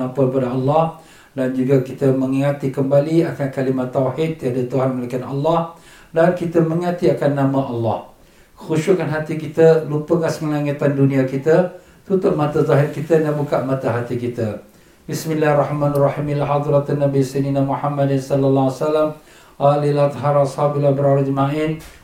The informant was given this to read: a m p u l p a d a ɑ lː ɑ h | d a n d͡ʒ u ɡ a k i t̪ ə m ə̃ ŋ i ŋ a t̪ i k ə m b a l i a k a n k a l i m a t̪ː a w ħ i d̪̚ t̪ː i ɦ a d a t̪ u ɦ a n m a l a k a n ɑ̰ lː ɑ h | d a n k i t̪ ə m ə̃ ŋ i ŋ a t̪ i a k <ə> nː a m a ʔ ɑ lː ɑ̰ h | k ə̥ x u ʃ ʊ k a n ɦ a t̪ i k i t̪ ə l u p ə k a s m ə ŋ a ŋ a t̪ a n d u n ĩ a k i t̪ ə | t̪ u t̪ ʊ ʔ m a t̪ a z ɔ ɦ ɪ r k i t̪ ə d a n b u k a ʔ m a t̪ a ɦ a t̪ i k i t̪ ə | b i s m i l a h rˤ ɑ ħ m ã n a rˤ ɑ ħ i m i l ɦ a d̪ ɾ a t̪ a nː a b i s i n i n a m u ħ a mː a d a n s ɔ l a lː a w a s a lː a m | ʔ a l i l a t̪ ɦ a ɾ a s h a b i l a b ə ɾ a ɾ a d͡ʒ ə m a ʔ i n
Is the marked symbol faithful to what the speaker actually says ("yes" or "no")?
no